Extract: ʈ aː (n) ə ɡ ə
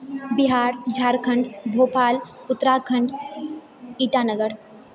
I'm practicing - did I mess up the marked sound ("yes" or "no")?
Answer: no